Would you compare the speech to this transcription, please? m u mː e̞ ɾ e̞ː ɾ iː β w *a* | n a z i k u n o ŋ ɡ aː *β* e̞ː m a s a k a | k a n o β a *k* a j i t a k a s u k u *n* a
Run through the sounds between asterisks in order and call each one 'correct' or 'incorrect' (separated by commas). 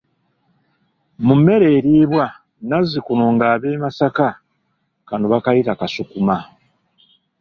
correct, correct, correct, incorrect